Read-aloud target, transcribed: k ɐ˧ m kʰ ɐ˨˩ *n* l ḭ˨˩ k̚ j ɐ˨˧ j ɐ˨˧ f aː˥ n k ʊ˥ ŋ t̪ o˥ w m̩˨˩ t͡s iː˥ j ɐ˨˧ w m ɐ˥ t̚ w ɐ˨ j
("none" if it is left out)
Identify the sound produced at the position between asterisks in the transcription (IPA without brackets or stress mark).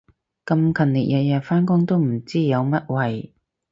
n